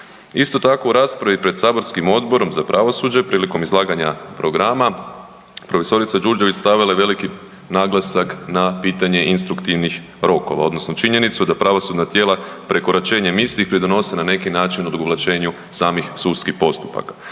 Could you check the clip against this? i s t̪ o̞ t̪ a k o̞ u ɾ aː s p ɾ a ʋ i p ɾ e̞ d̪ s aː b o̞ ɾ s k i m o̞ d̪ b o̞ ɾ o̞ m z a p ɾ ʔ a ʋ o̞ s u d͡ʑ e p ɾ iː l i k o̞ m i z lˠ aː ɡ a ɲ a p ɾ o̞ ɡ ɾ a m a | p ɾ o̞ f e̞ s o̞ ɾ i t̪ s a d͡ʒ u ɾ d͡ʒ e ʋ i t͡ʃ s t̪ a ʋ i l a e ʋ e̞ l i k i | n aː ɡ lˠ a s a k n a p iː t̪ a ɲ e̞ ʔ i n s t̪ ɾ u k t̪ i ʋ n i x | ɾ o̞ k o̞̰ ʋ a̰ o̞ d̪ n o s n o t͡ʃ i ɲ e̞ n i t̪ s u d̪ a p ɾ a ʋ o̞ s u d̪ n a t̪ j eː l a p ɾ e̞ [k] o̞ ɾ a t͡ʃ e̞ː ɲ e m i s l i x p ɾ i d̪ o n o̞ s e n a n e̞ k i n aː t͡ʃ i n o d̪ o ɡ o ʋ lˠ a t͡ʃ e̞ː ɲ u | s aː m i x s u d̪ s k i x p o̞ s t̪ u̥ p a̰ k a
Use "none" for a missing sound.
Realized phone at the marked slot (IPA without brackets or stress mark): k